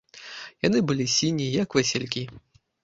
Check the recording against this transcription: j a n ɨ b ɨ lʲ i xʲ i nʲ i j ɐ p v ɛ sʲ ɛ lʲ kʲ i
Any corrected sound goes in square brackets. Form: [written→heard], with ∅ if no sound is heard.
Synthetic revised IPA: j a n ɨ b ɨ lʲ i [xʲ→sʲ] i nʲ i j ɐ [p→k] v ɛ sʲ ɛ lʲ kʲ i